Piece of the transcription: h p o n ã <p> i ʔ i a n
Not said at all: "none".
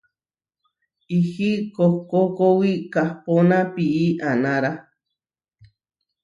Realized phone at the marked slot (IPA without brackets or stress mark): p